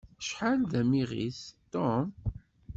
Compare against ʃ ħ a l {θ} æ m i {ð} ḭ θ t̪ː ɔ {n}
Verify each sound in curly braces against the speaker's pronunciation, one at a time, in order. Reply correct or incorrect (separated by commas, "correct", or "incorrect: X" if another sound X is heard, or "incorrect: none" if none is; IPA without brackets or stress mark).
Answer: incorrect: ð, incorrect: ʁ, incorrect: m